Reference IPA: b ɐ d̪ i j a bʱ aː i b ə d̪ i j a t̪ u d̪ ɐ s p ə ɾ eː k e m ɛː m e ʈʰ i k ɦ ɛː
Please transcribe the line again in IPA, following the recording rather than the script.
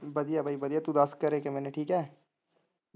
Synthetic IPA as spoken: b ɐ d̪ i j a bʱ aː i b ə d̪ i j a t̪ u d̪ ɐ s k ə ɾ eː k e m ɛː n e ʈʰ iː k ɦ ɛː